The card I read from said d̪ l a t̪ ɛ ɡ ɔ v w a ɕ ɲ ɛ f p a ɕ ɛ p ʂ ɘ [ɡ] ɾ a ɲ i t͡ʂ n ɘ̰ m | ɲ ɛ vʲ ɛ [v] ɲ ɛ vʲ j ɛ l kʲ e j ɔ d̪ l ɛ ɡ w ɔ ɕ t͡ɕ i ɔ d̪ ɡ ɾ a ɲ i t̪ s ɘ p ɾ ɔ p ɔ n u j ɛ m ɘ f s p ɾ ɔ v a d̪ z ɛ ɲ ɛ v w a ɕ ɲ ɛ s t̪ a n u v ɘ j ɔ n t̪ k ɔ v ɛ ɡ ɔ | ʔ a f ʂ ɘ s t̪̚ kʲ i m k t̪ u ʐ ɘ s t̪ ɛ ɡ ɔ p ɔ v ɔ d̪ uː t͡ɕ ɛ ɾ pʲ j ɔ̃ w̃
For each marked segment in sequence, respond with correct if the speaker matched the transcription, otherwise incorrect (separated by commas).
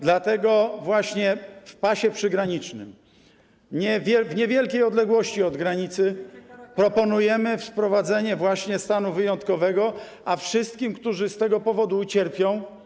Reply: correct, correct